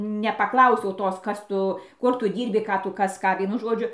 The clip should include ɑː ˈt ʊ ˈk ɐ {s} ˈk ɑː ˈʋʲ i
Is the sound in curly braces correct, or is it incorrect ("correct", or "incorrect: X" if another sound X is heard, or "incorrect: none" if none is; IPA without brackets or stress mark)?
correct